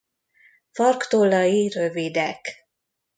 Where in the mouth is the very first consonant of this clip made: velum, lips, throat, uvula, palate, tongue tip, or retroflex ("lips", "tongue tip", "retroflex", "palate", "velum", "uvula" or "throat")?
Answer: lips